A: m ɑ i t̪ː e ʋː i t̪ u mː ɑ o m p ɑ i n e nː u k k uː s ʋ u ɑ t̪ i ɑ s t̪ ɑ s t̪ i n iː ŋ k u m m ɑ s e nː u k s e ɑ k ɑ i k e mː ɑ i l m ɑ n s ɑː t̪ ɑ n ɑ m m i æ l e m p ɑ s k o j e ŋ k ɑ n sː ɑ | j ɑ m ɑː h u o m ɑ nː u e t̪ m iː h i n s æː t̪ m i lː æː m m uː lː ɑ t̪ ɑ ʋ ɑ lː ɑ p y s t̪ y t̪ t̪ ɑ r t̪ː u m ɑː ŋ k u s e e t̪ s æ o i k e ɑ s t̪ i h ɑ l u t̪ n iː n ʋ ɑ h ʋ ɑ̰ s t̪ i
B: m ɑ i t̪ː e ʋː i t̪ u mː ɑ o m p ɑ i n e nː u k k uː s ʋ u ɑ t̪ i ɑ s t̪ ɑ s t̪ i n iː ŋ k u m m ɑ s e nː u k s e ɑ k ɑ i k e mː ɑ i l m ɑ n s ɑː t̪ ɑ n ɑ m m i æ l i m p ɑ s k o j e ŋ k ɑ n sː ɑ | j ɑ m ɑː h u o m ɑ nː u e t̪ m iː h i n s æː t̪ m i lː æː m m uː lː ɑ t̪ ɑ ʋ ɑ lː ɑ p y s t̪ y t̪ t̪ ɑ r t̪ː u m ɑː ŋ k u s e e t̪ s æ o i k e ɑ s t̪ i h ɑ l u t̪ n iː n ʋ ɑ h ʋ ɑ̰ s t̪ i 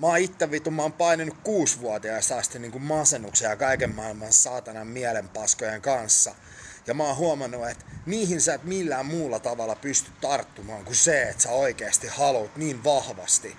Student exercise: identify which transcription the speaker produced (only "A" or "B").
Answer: A